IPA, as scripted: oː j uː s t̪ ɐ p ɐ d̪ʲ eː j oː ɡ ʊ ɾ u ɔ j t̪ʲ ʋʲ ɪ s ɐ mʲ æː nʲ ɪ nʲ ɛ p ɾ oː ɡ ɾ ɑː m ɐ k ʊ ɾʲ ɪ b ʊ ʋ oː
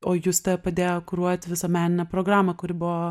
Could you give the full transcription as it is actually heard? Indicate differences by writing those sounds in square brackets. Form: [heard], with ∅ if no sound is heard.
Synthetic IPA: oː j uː s t̪ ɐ p ɐ d̪ʲ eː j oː [k] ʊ ɾ u ɔ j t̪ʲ ʋʲ ɪ s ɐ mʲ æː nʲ ɪ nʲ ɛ p ɾ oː ɡ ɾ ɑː m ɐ k ʊ ɾʲ ɪ b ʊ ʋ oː